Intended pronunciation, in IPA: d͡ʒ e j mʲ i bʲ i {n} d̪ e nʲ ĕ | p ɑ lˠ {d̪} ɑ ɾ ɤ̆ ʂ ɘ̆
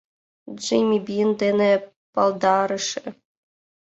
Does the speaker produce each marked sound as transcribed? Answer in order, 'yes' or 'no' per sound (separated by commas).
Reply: yes, yes